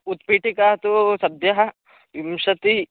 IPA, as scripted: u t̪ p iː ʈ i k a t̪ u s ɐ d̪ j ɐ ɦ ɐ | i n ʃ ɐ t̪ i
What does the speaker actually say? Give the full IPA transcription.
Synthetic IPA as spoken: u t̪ p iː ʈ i k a t̪ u s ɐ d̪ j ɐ ɦ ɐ | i m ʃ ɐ t̪ i